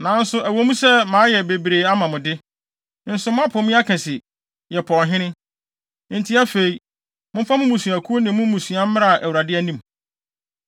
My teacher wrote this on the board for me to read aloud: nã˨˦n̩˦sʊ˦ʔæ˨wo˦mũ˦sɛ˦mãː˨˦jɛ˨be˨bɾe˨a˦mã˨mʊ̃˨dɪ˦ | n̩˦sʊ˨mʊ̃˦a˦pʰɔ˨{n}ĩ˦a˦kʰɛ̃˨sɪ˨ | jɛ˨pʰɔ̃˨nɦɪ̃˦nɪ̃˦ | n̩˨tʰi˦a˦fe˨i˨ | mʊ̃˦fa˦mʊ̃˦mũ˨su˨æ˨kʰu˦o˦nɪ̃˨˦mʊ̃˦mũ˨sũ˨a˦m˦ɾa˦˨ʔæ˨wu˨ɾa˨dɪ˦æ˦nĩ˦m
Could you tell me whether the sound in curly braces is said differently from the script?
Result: yes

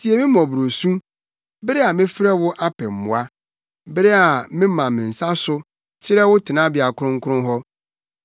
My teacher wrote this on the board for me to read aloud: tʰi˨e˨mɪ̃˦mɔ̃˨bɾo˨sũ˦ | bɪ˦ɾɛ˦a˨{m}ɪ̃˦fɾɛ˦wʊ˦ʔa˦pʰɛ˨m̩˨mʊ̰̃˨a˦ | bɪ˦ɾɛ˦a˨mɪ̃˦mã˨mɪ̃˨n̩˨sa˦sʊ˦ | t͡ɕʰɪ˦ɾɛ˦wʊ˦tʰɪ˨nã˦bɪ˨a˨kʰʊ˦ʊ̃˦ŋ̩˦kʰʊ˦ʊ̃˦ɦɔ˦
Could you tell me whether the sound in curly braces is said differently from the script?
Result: no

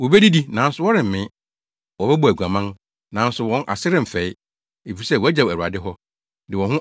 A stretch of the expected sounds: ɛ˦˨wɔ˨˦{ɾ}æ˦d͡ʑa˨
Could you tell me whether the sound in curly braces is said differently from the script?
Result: yes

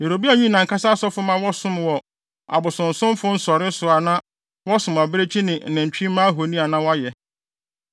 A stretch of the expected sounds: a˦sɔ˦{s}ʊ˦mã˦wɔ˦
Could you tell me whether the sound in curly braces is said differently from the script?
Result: yes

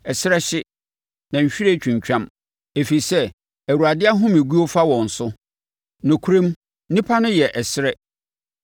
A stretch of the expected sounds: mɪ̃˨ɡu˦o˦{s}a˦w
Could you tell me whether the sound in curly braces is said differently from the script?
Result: yes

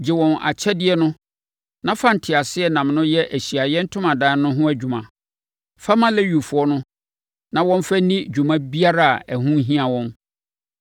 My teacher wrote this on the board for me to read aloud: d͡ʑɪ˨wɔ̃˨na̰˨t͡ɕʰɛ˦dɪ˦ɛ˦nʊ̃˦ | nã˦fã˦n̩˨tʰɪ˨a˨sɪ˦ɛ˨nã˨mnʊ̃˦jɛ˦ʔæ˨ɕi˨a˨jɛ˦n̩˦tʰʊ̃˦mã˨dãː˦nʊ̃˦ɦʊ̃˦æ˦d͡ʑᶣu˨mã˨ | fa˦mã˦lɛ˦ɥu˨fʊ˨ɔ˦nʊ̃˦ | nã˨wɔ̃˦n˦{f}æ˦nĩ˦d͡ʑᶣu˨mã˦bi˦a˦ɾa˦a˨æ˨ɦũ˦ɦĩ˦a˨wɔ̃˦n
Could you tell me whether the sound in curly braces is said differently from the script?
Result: no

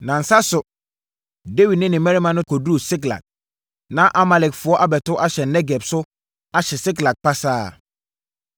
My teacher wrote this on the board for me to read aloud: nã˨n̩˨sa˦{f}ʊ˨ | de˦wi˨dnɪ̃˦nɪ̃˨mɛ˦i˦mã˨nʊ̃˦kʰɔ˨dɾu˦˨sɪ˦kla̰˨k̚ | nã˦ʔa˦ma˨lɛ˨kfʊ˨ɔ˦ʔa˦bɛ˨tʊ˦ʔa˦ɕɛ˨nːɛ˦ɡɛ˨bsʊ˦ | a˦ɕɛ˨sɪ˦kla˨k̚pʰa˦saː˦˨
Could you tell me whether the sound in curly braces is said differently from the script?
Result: yes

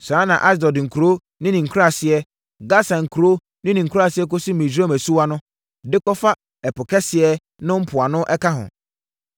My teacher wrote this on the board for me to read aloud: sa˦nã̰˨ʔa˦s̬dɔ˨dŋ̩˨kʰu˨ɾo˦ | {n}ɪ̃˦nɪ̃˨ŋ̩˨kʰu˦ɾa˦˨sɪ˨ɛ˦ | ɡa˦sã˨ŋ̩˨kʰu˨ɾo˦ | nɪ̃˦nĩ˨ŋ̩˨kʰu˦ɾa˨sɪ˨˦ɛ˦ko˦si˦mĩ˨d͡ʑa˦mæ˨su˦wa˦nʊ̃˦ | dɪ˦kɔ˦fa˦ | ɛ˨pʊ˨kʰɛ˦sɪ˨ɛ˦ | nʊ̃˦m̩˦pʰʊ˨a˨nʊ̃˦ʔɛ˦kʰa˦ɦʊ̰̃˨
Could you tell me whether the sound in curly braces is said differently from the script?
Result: no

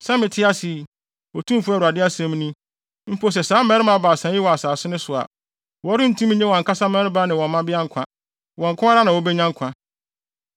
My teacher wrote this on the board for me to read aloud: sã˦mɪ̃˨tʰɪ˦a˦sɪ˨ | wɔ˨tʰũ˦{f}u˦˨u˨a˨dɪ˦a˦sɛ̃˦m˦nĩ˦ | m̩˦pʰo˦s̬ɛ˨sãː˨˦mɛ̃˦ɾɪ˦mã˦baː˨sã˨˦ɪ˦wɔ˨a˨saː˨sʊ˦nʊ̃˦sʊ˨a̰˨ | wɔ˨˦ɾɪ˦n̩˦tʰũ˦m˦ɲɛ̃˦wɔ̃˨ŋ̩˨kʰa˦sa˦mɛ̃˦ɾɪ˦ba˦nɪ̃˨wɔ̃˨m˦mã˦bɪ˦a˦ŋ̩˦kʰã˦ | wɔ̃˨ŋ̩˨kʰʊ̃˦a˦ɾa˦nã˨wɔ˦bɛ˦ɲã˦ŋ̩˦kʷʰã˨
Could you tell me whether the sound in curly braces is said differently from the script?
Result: no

